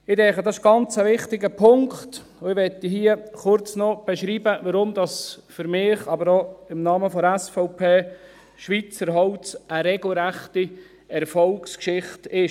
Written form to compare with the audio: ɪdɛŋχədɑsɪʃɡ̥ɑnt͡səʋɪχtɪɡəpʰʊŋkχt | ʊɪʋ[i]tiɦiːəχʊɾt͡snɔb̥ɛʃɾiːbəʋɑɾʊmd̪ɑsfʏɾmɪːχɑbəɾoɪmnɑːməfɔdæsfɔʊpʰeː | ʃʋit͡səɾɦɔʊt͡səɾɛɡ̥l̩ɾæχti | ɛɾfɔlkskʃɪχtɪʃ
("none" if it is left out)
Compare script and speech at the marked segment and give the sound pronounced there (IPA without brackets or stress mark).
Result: ɛ